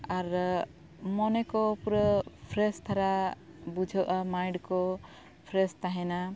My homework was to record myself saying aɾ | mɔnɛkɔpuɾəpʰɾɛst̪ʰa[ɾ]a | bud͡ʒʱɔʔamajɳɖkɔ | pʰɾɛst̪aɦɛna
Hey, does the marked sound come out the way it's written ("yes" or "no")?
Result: yes